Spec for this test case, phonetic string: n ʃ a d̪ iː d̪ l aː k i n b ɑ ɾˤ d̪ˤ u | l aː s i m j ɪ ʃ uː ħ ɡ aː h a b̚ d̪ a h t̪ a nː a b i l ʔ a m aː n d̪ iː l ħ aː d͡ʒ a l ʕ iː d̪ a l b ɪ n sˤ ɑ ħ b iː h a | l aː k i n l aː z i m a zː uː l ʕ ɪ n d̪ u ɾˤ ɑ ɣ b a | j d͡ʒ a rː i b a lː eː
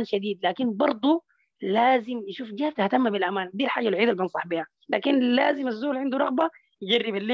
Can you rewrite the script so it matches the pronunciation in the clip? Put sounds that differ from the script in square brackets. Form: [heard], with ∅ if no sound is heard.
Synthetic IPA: n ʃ a d̪ iː d̪ l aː k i n b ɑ ɾˤ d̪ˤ u | l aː [z] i m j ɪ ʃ uː [f] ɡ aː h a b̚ [t̪] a h t̪ a [mː] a b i l ʔ a m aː n d̪ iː l ħ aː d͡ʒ a l ʕ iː d̪ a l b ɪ n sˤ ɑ ħ b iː h a | l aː k i n l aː z i m a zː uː l ʕ ɪ n d̪ u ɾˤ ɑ ɣ b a | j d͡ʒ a rː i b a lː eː